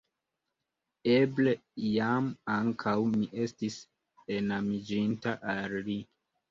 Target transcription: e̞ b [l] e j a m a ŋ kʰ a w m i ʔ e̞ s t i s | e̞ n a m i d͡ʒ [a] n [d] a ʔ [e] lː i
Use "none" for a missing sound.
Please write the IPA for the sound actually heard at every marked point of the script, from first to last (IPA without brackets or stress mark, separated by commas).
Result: l, i, t, a